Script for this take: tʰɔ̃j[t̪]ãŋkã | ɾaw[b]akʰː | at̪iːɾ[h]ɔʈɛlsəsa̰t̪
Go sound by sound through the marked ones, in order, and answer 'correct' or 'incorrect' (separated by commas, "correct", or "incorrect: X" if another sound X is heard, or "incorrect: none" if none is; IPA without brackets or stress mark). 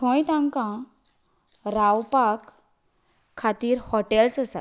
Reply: correct, incorrect: p, correct